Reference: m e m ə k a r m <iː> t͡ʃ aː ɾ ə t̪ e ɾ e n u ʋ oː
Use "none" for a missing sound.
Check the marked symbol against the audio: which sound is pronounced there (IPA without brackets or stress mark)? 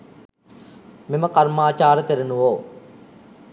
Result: aː